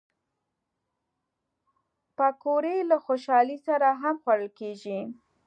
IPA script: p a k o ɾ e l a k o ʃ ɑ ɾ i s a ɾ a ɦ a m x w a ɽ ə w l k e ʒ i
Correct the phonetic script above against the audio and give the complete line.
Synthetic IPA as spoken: p a k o ɾ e l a x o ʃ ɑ l i s a ɾ a ɦ a m x w a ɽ ə l k e ʒ i